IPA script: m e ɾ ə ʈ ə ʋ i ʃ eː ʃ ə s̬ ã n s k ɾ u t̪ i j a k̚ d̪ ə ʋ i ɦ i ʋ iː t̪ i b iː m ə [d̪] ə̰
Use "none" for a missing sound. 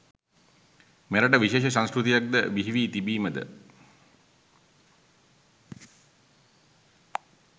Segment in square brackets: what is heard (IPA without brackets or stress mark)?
d̪